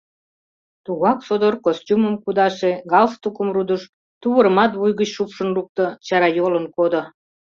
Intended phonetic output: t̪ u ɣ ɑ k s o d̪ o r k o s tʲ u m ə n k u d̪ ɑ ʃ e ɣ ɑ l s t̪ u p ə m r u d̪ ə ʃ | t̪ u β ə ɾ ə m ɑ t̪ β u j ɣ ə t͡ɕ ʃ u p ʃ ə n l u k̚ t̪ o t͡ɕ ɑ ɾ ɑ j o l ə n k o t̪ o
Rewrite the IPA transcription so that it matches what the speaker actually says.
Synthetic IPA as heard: t̪ u ɣ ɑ k s o d̪ o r k o s tʲ u m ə m k u d̪ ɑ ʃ e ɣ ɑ l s t̪ u k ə m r u d̪ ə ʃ | t̪ u β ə ɾ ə m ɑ t̪ β u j ɣ ə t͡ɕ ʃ u p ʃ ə n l u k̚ t̪ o t͡ɕ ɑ ɾ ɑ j o l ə n k o d̪ o